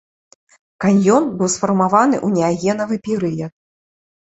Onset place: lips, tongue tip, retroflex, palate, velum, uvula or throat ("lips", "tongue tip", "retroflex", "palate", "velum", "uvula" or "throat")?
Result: velum